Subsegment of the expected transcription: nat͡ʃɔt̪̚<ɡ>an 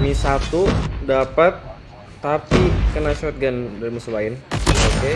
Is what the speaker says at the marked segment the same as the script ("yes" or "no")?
yes